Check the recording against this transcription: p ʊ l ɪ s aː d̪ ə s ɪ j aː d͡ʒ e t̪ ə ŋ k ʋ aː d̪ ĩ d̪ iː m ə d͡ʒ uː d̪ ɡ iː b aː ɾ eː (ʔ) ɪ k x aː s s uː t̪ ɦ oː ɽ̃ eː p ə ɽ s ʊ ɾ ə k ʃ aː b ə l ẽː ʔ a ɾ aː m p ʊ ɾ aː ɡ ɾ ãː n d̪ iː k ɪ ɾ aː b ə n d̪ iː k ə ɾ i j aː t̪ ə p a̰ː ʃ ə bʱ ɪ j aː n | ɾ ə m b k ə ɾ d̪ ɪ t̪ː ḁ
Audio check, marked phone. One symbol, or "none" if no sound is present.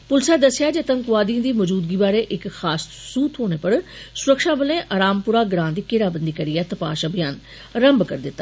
ʔ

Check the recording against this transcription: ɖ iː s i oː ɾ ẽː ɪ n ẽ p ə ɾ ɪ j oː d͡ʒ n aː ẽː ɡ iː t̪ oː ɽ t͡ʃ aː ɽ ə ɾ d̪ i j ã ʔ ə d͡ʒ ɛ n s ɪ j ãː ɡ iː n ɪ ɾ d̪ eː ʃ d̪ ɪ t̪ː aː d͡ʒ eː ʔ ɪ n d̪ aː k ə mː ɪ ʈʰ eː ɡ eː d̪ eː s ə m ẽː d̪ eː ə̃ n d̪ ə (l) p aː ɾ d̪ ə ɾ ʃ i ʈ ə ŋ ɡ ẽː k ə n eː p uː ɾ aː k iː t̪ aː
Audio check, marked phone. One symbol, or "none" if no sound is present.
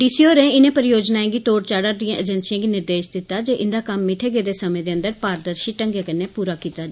ɾ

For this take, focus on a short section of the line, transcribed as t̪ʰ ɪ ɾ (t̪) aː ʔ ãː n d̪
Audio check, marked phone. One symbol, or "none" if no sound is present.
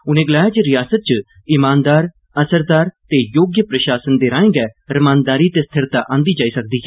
t̪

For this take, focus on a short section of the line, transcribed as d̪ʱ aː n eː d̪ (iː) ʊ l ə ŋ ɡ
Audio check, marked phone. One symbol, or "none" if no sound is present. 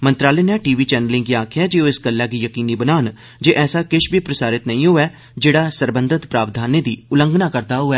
iː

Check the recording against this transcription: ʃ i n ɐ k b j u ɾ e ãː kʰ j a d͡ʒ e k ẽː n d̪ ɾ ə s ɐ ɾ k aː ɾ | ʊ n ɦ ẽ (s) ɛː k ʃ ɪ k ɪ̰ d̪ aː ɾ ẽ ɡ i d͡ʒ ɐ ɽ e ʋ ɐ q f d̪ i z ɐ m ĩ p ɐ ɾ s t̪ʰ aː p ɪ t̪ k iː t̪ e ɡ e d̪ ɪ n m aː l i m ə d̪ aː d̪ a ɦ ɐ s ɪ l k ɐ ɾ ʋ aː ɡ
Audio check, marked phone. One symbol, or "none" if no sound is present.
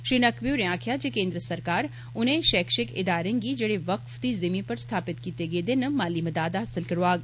ʃ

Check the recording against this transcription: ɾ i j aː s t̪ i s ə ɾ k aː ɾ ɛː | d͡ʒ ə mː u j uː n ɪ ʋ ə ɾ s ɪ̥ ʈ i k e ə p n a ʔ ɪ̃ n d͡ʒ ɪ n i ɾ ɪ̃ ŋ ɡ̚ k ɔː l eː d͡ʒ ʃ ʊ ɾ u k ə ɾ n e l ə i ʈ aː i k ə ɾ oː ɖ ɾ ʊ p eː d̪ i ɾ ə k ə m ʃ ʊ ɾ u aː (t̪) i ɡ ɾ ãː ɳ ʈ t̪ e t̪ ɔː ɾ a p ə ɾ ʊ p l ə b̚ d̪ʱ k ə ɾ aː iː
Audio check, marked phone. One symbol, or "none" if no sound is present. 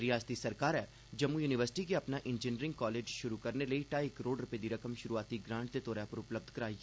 t̪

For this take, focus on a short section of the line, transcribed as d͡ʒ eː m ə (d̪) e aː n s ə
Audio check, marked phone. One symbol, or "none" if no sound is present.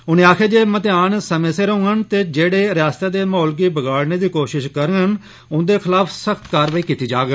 t̪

